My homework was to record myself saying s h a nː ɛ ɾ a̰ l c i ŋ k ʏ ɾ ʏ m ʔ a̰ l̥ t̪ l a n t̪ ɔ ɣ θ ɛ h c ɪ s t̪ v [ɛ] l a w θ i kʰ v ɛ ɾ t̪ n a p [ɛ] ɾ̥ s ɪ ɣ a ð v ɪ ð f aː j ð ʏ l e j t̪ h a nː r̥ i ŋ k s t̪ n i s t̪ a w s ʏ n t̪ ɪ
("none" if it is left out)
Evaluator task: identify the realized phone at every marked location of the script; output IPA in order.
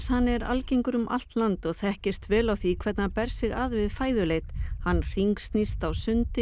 ɛː, ɛ

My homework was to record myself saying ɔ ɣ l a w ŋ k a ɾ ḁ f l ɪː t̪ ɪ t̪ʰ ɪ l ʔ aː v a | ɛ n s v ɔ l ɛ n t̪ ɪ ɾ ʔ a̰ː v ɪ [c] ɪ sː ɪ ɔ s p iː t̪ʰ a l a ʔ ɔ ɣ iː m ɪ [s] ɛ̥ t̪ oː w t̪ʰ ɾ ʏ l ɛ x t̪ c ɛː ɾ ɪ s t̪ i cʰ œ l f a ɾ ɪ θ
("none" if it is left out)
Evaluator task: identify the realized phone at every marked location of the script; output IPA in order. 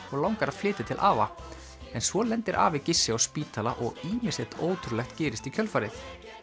c, s

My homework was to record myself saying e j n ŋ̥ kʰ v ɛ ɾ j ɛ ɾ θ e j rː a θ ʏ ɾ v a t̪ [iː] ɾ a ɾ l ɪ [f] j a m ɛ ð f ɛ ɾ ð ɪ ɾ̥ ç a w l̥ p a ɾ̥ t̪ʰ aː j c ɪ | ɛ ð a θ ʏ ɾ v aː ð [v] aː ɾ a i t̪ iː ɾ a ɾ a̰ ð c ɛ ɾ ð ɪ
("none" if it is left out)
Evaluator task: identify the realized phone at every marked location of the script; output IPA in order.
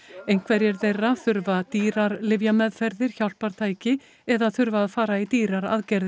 iː, v, f

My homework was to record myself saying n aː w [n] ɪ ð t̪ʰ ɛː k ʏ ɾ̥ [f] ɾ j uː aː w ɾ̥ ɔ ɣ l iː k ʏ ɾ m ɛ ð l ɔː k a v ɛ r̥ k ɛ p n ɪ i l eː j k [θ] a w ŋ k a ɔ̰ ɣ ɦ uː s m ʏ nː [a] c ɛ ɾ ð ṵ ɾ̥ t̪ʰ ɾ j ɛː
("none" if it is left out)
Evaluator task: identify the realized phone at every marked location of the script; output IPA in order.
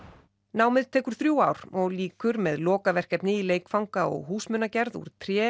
m, θ, f, a

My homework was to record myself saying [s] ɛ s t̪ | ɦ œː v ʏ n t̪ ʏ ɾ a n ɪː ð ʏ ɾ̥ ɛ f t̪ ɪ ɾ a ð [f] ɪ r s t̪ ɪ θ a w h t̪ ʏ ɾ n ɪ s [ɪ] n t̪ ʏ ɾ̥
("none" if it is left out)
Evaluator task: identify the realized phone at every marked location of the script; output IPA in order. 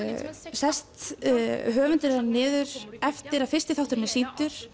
s, f, i

